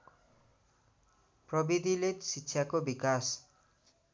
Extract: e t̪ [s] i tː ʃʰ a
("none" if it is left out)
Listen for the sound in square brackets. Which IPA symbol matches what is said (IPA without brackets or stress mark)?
s